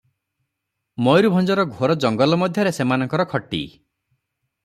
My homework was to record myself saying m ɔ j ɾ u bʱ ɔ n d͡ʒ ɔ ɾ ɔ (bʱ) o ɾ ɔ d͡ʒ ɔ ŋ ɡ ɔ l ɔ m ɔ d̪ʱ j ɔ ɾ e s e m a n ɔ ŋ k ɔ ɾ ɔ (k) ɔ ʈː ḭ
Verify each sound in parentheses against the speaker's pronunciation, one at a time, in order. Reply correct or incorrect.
incorrect, incorrect

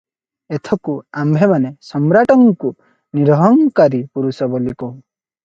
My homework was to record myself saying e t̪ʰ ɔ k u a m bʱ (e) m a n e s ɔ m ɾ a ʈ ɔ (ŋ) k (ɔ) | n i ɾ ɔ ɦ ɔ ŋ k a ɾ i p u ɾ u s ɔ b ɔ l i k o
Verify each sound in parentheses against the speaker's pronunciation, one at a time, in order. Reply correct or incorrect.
correct, correct, incorrect

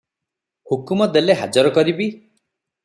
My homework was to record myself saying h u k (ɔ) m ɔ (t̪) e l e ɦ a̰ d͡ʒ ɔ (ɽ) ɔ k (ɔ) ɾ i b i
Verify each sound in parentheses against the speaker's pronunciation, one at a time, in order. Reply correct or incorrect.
incorrect, incorrect, incorrect, correct

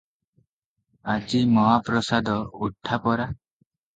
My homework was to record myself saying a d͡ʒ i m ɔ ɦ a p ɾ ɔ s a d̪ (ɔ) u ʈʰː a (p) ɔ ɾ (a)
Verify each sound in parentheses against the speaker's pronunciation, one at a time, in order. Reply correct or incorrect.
correct, correct, correct

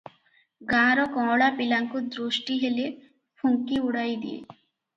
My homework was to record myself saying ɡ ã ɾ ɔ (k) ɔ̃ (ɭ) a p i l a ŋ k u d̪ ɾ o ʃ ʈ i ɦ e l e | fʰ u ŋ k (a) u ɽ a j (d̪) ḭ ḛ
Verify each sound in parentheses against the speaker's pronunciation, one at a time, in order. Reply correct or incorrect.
correct, incorrect, incorrect, correct

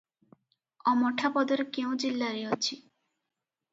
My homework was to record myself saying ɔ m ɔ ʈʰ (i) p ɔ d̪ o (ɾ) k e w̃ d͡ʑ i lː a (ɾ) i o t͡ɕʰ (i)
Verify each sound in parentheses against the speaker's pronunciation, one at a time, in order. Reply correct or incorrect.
incorrect, correct, correct, correct

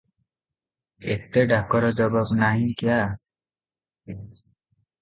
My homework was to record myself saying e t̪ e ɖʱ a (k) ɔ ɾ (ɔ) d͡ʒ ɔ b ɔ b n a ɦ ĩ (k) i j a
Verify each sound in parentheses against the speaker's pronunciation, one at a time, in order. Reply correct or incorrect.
correct, correct, correct

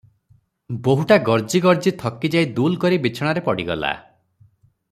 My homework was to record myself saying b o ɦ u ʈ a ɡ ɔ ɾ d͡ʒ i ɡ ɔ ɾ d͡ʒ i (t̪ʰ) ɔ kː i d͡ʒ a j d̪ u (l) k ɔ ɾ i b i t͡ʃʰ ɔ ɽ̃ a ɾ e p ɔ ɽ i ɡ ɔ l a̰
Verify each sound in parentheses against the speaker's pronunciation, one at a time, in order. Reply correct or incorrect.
correct, correct

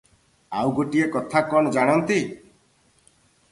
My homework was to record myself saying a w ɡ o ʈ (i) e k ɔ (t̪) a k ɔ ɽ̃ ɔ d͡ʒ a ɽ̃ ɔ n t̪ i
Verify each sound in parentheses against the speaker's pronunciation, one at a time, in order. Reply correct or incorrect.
correct, incorrect

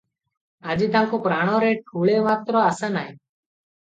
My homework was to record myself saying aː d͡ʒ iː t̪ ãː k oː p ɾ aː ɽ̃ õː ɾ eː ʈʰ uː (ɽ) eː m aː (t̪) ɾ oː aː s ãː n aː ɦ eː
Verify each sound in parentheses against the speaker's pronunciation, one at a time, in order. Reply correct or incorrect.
incorrect, correct

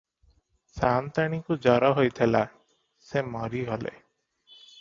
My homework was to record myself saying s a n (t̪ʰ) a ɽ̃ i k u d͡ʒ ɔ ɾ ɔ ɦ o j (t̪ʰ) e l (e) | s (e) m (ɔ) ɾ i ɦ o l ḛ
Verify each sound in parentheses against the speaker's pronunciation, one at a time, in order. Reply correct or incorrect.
incorrect, correct, incorrect, correct, correct

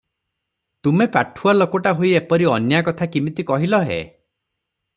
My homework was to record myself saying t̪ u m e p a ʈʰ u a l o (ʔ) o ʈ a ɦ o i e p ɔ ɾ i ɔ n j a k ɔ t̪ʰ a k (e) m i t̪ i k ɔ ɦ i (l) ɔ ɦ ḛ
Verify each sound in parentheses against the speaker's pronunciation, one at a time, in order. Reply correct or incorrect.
incorrect, incorrect, correct

